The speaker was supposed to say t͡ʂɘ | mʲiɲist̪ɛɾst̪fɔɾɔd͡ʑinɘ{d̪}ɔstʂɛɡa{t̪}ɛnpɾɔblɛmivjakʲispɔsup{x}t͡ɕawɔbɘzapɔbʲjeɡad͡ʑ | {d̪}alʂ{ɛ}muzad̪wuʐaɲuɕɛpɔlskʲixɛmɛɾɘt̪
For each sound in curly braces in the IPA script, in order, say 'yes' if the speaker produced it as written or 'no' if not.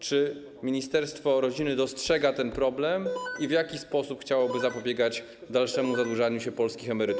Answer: yes, yes, yes, yes, yes

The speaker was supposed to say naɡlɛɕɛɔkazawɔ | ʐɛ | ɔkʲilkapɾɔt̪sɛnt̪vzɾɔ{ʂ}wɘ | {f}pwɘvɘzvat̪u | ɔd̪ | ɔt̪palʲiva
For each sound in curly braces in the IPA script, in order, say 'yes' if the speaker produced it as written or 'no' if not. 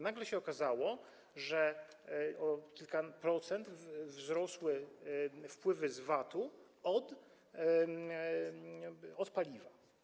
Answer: no, yes

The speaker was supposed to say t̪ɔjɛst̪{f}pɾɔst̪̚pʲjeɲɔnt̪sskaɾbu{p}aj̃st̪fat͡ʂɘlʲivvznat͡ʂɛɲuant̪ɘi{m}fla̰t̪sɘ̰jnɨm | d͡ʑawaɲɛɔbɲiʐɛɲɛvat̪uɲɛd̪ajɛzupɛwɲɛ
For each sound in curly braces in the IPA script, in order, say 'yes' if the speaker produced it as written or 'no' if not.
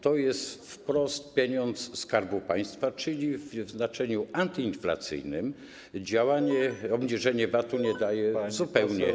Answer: yes, yes, no

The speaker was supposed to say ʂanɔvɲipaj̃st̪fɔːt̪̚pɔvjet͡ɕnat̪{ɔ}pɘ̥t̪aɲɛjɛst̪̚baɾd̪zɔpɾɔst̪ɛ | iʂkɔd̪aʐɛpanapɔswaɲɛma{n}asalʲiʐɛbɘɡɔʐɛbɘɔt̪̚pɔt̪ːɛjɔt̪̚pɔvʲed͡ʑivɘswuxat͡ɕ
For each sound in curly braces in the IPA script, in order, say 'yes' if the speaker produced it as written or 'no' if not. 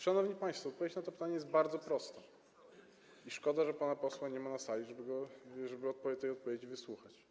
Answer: yes, yes

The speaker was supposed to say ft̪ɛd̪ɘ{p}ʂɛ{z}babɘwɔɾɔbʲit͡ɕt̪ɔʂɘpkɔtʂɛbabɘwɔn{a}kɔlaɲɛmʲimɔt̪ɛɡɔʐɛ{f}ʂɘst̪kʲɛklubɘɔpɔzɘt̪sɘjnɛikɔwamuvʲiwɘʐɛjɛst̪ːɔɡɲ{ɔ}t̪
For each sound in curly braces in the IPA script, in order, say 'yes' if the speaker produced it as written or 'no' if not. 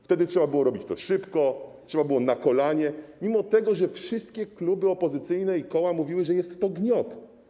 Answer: no, no, yes, yes, yes

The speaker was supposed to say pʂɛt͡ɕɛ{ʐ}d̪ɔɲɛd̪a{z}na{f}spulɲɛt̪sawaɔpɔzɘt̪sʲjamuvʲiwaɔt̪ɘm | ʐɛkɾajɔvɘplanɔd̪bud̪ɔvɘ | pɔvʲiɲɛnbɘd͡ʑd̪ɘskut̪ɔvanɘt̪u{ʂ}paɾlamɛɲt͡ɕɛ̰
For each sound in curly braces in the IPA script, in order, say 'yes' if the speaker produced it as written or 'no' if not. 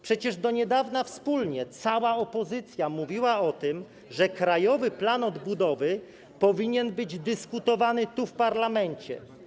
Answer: yes, no, yes, no

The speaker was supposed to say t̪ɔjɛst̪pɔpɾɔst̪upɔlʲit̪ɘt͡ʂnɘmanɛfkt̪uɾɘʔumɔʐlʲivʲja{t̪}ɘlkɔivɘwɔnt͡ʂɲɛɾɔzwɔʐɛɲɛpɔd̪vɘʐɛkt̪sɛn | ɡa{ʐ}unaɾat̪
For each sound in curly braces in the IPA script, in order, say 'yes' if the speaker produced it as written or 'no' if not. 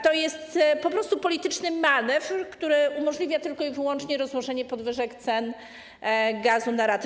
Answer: yes, no

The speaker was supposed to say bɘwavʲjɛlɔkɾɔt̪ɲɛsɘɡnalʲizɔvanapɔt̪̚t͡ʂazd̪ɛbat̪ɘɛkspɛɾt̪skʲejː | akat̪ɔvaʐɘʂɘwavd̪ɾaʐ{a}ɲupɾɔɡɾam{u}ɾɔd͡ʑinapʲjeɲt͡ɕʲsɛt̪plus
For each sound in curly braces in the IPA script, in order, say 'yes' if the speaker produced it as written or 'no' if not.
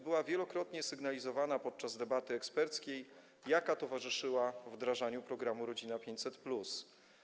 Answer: yes, yes

